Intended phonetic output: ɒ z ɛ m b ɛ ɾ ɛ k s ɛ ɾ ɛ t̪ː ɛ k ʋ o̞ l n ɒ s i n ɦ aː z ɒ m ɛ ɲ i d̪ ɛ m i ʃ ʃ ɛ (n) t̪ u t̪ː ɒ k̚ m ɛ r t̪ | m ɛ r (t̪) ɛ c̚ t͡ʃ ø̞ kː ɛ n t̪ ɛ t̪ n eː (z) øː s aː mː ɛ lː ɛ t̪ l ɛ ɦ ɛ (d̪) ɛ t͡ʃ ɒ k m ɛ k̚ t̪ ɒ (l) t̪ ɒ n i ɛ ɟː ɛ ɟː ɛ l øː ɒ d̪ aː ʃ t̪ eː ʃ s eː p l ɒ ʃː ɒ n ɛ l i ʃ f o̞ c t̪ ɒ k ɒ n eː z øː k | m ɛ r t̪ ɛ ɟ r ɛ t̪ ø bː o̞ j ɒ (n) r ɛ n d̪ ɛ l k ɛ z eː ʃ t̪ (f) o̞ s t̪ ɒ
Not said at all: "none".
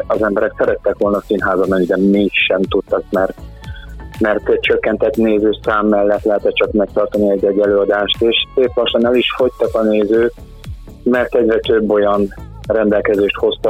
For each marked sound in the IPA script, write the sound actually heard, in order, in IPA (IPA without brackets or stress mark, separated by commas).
m, t̪, z, t̪, r, n, h